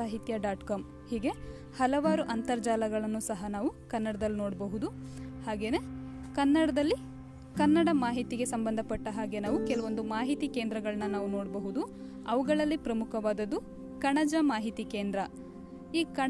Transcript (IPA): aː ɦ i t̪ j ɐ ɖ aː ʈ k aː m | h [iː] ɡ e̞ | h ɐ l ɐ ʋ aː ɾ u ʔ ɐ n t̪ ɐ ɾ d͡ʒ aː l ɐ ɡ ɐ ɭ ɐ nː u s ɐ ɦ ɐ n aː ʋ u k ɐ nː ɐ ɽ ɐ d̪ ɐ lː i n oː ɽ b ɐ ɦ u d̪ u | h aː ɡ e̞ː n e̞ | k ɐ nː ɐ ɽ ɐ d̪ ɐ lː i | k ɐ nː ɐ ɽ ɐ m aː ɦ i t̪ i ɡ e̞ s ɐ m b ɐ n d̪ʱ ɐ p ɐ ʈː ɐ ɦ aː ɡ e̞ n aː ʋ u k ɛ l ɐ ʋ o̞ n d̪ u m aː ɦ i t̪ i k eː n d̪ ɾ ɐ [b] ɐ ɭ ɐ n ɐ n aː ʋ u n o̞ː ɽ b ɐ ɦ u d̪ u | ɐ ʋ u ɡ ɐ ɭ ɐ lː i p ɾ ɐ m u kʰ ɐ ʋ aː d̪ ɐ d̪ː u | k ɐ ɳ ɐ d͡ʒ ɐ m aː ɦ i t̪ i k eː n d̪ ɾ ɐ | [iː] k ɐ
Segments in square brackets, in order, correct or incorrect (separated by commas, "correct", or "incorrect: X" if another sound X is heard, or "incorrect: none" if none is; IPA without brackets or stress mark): correct, incorrect: ɡ, correct